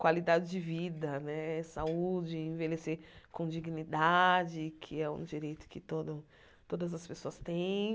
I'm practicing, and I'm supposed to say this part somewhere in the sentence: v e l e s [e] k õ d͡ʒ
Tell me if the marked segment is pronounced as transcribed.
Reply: yes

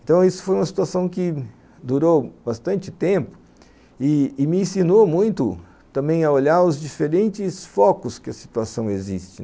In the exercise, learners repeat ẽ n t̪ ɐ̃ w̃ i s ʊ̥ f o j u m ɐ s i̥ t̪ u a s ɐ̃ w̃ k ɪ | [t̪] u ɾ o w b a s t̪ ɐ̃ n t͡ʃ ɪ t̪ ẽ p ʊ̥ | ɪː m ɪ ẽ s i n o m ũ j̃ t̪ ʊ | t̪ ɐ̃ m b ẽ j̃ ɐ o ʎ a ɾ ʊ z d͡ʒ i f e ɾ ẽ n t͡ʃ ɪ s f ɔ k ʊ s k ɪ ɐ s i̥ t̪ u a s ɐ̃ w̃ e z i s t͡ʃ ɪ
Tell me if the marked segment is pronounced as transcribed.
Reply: no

